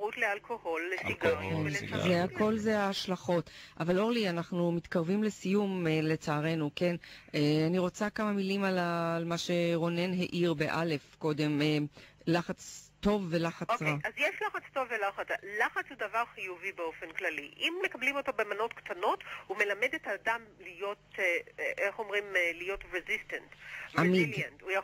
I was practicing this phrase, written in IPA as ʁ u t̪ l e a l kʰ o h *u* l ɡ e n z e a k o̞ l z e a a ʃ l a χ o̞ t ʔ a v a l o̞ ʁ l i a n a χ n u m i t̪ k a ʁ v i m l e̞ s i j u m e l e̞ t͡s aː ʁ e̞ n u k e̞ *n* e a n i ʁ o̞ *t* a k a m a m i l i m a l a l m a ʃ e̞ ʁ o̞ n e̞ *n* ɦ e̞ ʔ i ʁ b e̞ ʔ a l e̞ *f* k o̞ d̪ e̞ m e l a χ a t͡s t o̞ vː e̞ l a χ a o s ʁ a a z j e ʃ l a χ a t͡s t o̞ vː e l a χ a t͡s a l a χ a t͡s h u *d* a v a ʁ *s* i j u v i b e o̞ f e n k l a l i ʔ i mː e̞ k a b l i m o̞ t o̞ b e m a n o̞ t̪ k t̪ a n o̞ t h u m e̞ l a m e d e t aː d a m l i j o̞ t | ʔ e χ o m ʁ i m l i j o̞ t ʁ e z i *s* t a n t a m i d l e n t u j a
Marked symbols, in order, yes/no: no, yes, no, yes, yes, yes, no, yes

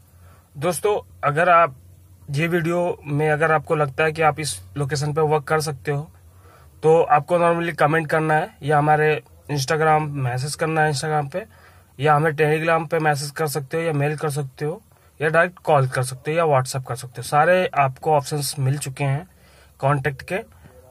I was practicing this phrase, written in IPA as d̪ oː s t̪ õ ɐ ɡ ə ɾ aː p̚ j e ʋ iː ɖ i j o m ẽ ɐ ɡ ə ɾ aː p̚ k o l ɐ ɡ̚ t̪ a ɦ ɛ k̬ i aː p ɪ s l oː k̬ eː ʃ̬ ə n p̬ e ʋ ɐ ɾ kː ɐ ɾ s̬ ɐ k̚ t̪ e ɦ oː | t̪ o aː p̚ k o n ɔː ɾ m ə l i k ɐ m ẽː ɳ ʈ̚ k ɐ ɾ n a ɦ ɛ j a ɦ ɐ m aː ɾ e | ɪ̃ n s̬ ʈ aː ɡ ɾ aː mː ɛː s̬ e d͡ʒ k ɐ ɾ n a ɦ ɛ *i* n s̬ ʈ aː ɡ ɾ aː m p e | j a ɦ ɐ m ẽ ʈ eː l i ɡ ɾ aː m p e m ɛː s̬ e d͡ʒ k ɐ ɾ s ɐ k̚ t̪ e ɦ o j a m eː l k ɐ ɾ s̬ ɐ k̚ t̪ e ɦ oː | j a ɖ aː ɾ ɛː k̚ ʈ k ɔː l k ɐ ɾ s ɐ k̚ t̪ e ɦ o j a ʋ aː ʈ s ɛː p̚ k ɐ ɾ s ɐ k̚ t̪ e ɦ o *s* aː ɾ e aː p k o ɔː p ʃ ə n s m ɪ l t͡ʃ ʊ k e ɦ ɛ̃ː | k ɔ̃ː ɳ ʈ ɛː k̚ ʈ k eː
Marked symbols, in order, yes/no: no, yes

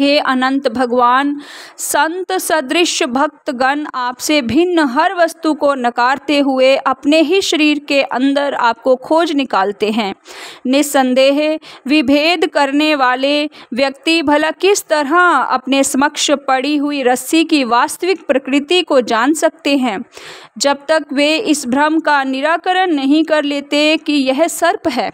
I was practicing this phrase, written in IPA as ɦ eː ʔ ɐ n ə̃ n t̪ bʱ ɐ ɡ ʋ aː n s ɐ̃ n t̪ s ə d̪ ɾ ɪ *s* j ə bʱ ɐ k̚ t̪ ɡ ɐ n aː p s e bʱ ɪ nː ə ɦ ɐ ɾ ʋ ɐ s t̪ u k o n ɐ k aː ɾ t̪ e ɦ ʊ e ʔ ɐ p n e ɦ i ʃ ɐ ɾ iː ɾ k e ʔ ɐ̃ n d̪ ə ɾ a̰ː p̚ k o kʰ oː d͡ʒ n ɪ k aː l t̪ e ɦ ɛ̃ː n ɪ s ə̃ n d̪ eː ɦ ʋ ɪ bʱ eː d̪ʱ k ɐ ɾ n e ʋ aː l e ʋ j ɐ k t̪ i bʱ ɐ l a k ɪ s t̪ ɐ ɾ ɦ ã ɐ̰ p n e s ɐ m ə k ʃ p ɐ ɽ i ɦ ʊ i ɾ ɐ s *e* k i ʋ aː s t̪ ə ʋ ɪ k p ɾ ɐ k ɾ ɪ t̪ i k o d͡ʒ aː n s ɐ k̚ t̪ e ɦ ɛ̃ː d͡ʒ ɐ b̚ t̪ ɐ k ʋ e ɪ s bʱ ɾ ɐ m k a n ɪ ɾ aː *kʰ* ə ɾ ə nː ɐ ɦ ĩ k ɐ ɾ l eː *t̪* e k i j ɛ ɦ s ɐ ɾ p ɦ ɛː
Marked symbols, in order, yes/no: no, no, no, yes

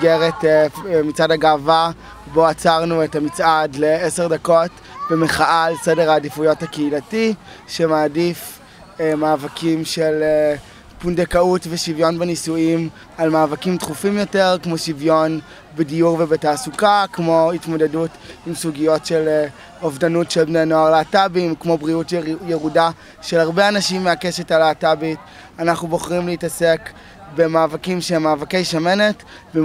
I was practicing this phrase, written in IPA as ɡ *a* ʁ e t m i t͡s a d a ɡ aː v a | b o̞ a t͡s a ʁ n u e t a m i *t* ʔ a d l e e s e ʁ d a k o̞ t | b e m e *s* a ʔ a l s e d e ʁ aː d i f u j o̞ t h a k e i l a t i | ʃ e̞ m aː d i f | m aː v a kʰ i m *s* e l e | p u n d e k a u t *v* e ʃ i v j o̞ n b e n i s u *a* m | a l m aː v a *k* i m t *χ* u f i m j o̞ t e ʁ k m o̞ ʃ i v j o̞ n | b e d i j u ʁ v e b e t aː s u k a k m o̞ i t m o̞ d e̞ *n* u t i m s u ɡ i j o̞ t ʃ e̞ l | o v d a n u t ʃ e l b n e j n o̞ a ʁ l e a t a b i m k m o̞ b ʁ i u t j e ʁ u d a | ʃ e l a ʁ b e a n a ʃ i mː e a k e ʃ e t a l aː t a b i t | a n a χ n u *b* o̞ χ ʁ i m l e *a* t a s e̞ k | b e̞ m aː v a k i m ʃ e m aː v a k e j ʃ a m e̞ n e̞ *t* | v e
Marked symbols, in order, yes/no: no, no, no, no, yes, no, yes, yes, no, yes, no, yes

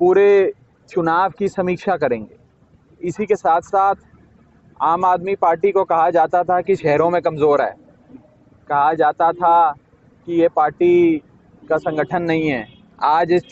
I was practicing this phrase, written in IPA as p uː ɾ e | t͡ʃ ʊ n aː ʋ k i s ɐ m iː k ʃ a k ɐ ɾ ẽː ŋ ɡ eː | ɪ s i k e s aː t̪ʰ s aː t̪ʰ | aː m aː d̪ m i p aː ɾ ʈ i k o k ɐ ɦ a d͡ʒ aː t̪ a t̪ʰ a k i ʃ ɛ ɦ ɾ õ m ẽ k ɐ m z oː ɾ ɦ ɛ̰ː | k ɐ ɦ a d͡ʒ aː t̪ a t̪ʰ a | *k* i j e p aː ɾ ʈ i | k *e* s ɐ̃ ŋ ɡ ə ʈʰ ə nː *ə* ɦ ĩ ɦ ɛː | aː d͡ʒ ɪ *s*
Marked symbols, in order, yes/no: yes, no, no, yes

